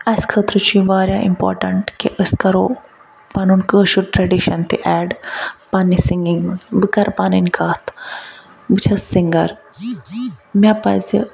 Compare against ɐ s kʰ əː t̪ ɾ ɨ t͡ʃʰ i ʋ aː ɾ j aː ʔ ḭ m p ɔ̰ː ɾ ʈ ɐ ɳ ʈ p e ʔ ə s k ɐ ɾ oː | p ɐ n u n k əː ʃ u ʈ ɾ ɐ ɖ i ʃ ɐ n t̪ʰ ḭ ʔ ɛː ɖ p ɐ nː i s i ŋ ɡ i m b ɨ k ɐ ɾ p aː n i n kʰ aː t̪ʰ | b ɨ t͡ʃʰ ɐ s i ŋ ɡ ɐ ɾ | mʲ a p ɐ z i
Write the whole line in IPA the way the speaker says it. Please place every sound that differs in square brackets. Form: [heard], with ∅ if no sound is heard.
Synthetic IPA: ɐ s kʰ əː t̪ ɾ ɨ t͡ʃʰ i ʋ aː ɾ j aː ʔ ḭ m p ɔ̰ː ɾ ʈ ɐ ɳ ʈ [k] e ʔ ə s k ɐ ɾ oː | p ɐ n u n k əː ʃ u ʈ ɾ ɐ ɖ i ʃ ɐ n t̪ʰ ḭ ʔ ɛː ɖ p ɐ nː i s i ŋ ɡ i [ŋ] b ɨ k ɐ ɾ p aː n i n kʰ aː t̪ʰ | b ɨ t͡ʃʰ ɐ s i ŋ ɡ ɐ ɾ | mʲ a p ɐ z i

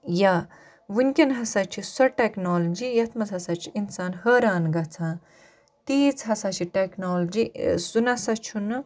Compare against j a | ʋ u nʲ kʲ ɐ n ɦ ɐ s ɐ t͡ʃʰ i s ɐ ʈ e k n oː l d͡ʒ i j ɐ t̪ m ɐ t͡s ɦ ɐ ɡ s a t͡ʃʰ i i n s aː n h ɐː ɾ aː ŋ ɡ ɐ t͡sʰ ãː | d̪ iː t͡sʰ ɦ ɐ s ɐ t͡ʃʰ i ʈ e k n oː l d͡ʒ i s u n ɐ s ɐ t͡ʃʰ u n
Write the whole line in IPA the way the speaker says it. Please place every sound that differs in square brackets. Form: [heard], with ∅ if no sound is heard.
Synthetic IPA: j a | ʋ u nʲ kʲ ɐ n ɦ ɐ s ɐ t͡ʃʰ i s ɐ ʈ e k n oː l d͡ʒ i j ɐ t̪ m ɐ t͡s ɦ ɐ [∅] s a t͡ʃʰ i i n s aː n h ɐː ɾ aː [n] ɡ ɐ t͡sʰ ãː | [t̪] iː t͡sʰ ɦ ɐ s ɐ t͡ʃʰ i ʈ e k n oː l d͡ʒ i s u n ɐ s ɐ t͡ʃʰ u n

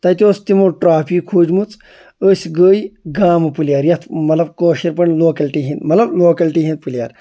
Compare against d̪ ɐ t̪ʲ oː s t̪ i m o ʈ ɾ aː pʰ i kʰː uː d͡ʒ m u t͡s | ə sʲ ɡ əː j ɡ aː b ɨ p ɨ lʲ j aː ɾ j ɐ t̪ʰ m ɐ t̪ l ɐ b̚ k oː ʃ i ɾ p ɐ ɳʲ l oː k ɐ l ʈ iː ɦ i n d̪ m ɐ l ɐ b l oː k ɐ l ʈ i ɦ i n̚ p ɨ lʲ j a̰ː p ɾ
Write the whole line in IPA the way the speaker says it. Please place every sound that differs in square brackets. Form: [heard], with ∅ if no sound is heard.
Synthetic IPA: [t̪] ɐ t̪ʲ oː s t̪ i m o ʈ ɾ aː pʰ i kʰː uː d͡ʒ m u t͡s | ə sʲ ɡ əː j ɡ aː [m] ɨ p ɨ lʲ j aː ɾ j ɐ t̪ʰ m ɐ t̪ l ɐ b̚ k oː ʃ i ɾ p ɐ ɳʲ l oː k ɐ l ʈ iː ɦ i n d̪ m ɐ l ɐ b l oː k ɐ l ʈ i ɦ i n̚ p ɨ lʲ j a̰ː [∅] ɾ

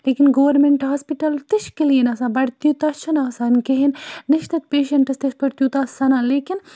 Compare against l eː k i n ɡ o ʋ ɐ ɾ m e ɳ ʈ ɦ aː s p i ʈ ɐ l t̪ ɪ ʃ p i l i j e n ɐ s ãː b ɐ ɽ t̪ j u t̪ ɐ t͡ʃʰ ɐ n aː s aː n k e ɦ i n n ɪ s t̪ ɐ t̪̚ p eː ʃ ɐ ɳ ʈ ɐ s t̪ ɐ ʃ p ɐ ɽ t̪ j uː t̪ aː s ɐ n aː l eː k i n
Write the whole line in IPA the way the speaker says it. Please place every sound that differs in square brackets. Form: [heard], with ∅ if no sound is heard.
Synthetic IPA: l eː k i n ɡ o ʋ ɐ ɾ m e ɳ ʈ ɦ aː s p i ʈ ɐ l t̪ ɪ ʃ [k] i l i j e n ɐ s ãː b ɐ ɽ t̪ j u t̪ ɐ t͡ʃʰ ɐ n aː s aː n k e ɦ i n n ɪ [ʃ] t̪ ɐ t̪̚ p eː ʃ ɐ ɳ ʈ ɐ s t̪ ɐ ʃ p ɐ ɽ t̪ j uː t̪ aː s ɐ n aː l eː k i n

